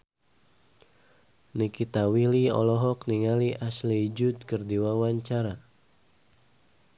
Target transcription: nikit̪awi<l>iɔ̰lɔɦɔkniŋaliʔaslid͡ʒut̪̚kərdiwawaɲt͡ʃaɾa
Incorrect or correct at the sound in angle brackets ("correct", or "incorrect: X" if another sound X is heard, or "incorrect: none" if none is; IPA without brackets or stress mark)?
correct